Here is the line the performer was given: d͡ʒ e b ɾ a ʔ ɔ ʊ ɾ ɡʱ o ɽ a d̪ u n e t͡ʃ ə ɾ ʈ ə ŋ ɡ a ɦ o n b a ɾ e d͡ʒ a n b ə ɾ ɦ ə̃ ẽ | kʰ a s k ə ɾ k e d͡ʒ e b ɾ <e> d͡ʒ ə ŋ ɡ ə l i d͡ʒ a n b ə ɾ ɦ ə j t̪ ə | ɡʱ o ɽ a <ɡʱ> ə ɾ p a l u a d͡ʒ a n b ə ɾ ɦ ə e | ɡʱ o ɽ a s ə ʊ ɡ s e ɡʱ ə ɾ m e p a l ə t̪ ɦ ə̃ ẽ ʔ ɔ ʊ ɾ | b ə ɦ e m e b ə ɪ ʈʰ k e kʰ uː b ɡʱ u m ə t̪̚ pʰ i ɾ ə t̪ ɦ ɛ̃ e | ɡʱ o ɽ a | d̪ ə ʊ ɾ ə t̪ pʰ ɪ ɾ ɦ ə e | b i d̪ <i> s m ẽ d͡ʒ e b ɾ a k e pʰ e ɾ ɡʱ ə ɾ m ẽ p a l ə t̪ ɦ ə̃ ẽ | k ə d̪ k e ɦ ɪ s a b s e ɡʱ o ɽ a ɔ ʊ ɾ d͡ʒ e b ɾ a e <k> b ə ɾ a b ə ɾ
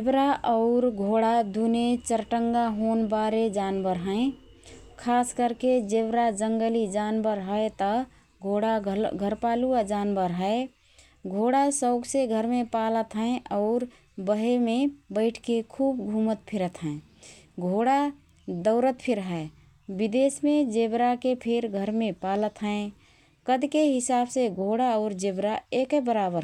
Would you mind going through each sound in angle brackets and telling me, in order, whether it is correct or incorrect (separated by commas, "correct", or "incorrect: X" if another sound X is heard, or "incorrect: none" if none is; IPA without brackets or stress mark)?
incorrect: a, correct, incorrect: e, correct